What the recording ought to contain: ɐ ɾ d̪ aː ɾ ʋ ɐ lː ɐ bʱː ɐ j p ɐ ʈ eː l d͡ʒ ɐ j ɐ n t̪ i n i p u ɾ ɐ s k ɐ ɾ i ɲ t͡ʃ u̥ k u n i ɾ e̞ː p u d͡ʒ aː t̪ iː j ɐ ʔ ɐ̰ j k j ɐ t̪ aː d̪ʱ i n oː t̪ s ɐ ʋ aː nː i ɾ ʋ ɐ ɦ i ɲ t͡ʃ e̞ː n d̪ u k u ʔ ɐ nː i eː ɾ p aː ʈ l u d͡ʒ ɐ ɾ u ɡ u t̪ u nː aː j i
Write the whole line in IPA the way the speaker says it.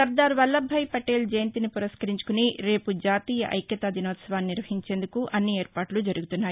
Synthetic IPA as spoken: ɐ ɾ d̪ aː ɾ ʋ ɐ lː ɐ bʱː ɐ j p ɐ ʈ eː l d͡ʒ ɐ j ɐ n t̪ i n i p u ɾ ɐ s k ɐ ɾ i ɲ t͡ʃ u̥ k u n i ɾ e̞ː p u d͡ʒ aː t̪ iː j ɐ ʔ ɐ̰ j k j ɐ t̪ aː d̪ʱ i n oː t̪ s ɐ ʋ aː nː i ɾ ʋ ɐ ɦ i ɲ t͡ʃ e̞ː n d̪ u k u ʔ ɐ nː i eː ɾ p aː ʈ l u d͡ʒ ɐ ɾ u ɡ u t̪ u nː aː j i